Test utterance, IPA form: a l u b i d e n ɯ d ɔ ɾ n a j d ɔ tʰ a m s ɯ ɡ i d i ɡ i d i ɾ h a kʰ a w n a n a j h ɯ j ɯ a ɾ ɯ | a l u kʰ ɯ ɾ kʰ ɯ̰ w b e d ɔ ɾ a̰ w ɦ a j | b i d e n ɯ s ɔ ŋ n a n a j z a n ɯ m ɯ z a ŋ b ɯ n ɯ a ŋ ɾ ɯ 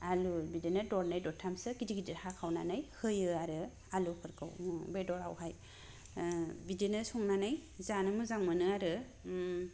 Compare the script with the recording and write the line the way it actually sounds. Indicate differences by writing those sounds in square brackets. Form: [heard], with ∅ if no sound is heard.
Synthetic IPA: a l u b i d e n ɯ d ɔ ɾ n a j d ɔ tʰ a m s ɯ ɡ i d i ɡ i d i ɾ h a kʰ a w n a n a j h ɯ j ɯ a ɾ ɯ | a l u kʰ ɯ ɾ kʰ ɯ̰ w b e d ɔ ɾ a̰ w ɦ a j | b i d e n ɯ s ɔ ŋ n a n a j z a n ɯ m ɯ z a ŋ [m] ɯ n ɯ a [∅] ɾ ɯ